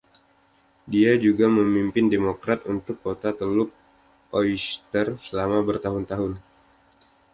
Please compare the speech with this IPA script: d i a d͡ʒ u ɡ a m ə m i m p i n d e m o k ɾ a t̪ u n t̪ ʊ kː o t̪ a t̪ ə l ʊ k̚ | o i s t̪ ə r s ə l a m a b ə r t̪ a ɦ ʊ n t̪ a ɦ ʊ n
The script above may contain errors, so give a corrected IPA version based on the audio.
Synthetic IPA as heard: d i a d͡ʒ u ɡ a m ə m i m p ɪ n d e m o k ɾ a t̪ u n t̪ ʊ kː o t̪ a t̪ ə l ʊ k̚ | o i s t̪ ə r s ə l a m a b ə r t̪ a ɦ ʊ n t̪ a ɦ ʊ n